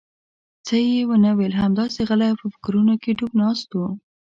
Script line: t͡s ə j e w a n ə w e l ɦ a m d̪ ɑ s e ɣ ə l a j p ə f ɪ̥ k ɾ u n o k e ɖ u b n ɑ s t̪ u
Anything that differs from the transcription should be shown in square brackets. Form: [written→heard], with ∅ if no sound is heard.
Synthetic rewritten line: t͡s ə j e w [a→ə] n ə w e l ɦ a m d̪ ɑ s e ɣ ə l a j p ə f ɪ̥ k ɾ u n o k e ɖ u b n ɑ s t̪ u